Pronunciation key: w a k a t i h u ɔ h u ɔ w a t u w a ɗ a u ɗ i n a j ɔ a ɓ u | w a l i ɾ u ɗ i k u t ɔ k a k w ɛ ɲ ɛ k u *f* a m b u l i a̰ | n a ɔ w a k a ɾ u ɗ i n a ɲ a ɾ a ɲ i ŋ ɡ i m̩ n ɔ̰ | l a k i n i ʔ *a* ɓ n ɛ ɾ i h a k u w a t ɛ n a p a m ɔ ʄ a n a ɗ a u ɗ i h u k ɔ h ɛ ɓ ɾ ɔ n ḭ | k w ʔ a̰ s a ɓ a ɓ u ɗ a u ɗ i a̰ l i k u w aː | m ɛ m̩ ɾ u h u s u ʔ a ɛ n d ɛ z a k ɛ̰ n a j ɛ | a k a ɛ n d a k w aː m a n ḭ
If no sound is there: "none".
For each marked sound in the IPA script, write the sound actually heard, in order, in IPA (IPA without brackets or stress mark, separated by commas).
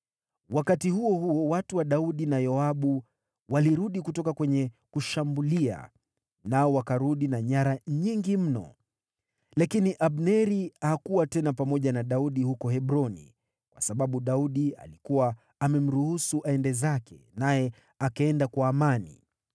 ʃ, a